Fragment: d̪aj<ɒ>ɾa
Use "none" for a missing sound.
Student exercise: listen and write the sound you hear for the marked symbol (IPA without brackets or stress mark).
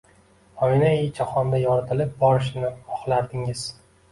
ɒ